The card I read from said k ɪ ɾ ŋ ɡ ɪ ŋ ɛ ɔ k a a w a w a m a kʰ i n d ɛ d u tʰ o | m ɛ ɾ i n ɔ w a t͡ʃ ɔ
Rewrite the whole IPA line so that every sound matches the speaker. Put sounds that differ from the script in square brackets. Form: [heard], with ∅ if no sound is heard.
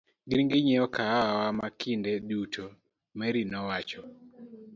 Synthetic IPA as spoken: [ɡ] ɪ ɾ ŋ ɡ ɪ [ɲ] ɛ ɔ k a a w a w a m a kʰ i n d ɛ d u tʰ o | m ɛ ɾ i n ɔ w a t͡ʃ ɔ